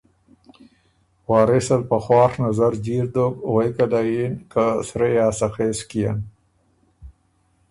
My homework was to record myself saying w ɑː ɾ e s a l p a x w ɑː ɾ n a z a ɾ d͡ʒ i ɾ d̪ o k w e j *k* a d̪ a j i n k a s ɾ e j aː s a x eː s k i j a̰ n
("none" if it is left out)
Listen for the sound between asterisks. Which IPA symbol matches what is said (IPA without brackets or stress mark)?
k